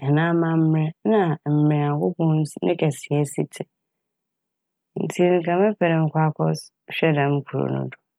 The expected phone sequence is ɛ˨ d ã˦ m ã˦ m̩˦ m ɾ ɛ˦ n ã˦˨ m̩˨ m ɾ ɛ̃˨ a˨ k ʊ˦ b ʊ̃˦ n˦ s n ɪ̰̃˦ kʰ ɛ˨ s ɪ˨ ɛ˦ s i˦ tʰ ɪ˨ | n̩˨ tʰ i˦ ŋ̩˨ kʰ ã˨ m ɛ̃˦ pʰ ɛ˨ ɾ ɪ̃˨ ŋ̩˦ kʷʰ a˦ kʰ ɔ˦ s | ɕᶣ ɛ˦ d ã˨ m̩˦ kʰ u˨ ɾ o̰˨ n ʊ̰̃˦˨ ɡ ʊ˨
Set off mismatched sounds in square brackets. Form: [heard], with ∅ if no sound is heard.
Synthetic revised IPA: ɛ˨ [n] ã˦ m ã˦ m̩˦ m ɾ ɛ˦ n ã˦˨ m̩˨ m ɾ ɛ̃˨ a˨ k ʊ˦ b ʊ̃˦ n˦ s n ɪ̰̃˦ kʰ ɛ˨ s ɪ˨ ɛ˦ s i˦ tʰ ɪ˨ | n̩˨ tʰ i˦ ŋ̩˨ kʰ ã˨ m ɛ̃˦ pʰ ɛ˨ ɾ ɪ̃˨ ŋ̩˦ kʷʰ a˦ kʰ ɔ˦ s | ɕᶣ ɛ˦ d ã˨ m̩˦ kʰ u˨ ɾ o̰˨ n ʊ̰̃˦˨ [d] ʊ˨